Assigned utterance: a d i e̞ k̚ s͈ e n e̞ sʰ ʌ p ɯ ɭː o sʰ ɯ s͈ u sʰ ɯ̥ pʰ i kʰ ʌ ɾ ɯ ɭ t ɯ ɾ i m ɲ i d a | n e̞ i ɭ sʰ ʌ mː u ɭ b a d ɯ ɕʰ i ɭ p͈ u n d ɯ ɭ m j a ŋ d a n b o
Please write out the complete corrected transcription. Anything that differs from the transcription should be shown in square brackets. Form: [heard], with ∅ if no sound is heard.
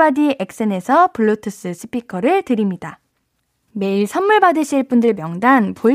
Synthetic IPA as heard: a d i e̞ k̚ s͈ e n e̞ sʰ ʌ p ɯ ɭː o [tʰ] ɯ s͈ [ɯ] sʰ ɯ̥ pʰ i kʰ ʌ ɾ ɯ ɭ t ɯ ɾ i m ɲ i d a | [m] e̞ i ɭ sʰ ʌ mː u ɭ b a d ɯ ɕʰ i ɭ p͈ u n d ɯ ɭ m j [ʌ] ŋ d a n [p] o